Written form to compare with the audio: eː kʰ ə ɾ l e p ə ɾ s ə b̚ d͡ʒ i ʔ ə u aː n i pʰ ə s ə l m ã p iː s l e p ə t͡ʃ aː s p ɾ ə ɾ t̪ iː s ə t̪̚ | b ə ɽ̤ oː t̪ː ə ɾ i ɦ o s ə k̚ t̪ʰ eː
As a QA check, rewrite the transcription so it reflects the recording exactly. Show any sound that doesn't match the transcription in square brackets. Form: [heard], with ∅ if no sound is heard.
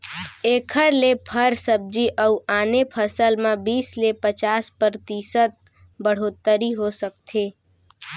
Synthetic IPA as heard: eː kʰ ə ɾ l e [pʰ] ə ɾ s ə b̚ d͡ʒ i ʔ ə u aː n [e] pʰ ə s ə l m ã [b] iː s l e p ə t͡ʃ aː s p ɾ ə ɾ t̪ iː s ə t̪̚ | b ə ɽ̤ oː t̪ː ə ɾ i ɦ o s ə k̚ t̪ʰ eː